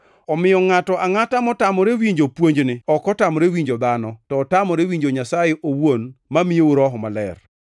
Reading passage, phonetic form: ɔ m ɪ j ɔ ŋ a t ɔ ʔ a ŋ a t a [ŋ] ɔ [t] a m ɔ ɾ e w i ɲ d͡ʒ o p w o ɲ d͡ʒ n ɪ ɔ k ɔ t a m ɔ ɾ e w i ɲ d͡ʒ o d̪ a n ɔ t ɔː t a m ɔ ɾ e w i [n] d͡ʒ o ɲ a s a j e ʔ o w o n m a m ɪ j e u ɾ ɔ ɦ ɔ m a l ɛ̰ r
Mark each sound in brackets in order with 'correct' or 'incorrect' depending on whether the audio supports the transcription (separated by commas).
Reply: incorrect, correct, incorrect